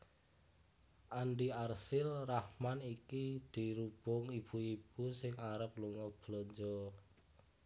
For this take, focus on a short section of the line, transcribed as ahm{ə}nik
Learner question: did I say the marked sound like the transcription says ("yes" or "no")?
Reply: no